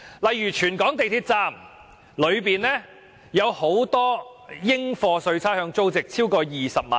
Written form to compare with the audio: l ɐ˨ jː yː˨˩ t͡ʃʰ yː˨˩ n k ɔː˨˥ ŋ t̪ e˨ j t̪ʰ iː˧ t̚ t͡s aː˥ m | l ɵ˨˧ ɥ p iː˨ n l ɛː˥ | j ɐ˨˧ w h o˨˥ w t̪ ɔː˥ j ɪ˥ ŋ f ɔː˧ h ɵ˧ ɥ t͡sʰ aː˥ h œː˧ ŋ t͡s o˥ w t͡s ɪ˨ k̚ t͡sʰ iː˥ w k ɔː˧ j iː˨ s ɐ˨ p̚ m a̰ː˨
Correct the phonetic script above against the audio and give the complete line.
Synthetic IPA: l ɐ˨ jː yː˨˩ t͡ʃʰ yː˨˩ n k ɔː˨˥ ŋ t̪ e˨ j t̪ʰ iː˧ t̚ t͡s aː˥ m | l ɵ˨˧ ɥ p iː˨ n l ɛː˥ | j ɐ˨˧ w h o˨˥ w t̪ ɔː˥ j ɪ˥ ŋ f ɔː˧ s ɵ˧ ɥ t͡sʰ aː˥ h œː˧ ŋ t͡s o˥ w t͡s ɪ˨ k̚ t͡sʰ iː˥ w k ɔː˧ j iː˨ s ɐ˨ p̚ m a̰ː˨

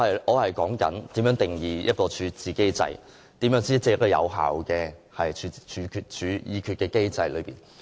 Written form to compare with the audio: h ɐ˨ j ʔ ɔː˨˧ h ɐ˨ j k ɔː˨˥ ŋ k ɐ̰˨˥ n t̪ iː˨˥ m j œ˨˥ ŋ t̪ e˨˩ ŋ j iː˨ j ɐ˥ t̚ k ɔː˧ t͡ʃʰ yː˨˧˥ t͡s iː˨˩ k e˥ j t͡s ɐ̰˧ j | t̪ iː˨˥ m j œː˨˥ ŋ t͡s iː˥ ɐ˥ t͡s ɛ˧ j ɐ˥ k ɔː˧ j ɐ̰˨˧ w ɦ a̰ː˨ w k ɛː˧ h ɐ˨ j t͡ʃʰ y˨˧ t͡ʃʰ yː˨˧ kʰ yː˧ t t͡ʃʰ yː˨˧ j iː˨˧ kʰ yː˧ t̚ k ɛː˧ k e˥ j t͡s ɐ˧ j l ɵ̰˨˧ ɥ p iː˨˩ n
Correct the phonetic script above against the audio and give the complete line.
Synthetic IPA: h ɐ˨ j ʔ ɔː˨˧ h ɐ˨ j k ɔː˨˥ ŋ k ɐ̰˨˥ n t̪ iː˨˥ m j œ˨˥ ŋ t̪ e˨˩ ŋ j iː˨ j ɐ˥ t̚ k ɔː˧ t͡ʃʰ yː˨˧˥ t͡s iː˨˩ k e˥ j t͡s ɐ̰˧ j | t̪ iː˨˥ m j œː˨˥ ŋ t͡s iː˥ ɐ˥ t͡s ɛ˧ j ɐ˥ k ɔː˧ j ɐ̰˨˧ w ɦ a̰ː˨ w k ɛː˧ h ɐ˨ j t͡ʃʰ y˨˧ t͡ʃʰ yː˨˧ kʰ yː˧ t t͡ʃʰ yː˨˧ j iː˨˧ kʰ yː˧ t̚ k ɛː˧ k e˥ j t͡s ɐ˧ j l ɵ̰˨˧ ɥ p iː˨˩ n

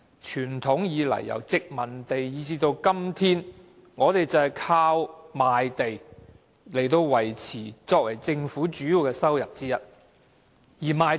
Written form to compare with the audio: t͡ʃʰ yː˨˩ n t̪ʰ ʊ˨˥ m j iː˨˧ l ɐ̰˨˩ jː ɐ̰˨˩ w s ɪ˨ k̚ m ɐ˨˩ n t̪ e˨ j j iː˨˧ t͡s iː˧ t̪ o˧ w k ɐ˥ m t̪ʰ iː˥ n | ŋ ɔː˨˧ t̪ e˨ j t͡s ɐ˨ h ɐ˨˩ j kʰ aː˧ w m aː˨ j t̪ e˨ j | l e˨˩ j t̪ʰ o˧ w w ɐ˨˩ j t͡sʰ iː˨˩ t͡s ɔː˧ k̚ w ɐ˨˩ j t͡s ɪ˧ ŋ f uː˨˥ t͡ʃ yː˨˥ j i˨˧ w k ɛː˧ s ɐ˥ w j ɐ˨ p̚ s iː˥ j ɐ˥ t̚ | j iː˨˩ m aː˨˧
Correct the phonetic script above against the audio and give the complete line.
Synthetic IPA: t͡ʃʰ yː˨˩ n t̪ʰ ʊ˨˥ ŋ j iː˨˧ l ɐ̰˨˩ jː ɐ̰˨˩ w t͡s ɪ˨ k̚ m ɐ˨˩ n t̪ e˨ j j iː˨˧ t͡s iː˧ t̪ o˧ w k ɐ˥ m t̪ʰ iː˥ n | ŋ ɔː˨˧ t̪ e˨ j t͡s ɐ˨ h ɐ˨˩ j kʰ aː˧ w m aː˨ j t̪ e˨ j | l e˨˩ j t̪ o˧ w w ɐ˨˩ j t͡sʰ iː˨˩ t͡s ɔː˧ k̚ w ɐ˨˩ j t͡s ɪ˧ ŋ f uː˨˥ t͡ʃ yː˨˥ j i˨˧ w k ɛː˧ s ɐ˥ w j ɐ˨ p̚ t͡s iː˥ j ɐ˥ t̚ | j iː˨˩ m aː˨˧

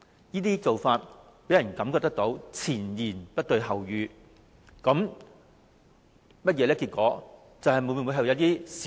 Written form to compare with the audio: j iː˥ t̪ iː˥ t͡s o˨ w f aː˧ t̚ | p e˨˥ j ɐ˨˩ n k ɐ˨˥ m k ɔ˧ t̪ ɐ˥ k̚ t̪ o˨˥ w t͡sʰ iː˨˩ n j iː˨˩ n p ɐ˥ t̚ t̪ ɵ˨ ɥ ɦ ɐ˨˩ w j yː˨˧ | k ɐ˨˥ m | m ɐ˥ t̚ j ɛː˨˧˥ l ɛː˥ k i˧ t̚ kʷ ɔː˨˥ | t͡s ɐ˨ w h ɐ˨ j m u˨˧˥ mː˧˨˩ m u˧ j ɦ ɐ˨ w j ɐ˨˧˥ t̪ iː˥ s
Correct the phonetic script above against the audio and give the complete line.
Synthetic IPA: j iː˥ t̪ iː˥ t͡s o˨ w f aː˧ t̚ | p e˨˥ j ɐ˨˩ n k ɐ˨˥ m k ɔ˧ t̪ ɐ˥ k̚ t̪ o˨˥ w t͡sʰ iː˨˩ n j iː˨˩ n p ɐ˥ t̚ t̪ ɵ˨ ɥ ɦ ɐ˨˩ w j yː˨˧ | k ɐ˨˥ m | m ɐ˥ t̚ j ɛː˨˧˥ l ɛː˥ k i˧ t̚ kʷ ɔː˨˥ | t͡s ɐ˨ w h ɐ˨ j m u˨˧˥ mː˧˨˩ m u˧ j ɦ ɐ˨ w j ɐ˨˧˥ t̪ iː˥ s

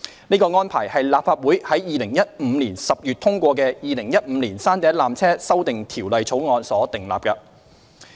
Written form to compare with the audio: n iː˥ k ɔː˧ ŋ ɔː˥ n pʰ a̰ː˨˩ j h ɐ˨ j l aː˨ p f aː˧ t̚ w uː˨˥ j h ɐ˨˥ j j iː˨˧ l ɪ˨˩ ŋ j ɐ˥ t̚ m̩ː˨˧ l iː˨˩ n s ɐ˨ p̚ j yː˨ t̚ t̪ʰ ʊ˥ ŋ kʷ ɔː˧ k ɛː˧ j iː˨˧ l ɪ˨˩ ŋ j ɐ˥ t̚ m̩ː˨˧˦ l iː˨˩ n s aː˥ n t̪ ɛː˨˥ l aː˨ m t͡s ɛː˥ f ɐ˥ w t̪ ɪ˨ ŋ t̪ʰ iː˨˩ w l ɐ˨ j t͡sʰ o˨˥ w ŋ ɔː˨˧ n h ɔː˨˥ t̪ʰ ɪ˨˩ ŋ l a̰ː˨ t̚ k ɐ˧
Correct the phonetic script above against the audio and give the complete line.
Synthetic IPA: n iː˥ k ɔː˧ ŋ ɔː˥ n pʰ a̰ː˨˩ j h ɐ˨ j l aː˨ p f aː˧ t̚ w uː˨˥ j h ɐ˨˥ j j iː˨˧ l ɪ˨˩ ŋ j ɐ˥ t̚ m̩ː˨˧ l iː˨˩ n s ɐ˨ p̚ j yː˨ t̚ t̪ʰ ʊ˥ ŋ kʷ ɔː˧ k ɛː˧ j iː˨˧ l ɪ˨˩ ŋ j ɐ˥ t̚ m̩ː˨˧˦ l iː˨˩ n s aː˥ n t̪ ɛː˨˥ l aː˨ m t͡sʰ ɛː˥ s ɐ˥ w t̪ ɪ˨ ŋ t̪ʰ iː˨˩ w l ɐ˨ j t͡sʰ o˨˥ w ŋ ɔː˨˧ n s ɔː˨˥ t̪ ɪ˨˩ ŋ l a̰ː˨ p̚ k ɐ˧

